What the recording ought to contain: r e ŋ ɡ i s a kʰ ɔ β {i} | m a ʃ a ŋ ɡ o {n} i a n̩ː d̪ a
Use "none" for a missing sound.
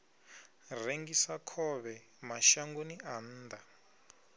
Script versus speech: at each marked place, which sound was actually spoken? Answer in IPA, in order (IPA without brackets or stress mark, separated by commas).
ɛ, n